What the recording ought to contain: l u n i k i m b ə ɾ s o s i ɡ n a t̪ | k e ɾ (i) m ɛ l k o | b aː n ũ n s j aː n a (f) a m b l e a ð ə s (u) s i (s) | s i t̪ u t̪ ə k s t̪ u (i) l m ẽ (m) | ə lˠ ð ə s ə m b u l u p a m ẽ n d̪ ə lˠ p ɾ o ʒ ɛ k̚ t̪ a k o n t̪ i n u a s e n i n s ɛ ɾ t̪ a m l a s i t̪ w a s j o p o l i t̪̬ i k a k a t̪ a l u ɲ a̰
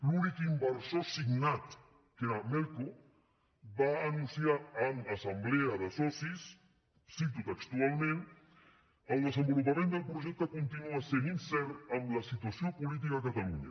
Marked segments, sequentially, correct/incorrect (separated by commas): incorrect, incorrect, incorrect, correct, incorrect, incorrect